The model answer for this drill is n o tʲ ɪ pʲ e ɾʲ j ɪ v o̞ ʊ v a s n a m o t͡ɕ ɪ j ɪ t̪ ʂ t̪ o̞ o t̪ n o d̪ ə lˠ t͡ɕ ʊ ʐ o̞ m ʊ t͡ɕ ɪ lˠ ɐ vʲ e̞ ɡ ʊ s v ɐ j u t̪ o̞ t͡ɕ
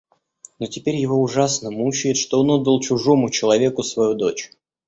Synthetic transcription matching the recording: n o tʲ ɪ pʲ e ɾʲ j ɪ v o̞ ʊ ʐ a s n ə m u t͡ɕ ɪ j ɪ t̪ ʂ t̪ o̞ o n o d̪ ə lˠ t͡ɕ ʊ ʐ o̞ m ʊ t͡ɕ ɪ lˠ ɐ vʲ e̞ k ʊ s v ɐ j u d̪ o̞ t͡ɕ